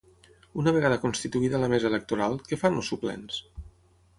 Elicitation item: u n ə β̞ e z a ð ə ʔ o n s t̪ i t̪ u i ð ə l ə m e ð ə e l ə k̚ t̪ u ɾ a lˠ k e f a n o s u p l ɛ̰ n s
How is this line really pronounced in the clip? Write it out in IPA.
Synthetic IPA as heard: u n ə β̞ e ɣ a ð ə k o n s t̪ i t̪ u i ð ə l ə m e z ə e l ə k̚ t̪ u ɾ a lˠ k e f a n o s u p l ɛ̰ n s